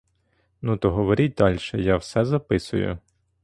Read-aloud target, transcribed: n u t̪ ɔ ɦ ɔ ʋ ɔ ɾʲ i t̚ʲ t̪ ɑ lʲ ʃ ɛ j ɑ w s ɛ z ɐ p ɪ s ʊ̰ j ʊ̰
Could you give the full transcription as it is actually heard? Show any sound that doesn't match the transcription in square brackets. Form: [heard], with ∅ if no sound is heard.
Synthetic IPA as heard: n u t̪ ɔ ɦ ɔ ʋ ɔ ɾʲ i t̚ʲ [d̪] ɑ lʲ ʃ ɛ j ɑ w s ɛ z ɐ p ɪ s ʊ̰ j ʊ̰